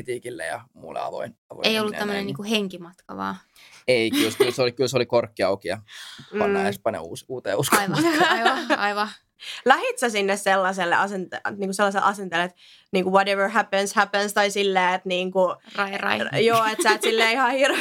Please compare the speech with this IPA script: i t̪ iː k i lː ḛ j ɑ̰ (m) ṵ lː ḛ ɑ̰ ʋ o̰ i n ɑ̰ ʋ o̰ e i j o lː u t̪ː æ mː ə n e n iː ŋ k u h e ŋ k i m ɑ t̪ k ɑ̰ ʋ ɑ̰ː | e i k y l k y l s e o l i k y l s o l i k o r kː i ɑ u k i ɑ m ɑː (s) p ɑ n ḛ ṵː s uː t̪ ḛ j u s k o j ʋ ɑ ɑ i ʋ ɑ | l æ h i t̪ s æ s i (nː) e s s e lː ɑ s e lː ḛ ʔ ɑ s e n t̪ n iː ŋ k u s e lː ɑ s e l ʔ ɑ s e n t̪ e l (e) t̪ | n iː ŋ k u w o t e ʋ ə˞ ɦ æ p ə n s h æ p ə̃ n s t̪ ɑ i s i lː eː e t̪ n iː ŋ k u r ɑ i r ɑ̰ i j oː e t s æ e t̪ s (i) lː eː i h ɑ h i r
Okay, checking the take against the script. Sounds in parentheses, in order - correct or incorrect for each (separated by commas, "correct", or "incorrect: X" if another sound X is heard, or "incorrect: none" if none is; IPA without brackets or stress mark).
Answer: correct, correct, correct, correct, correct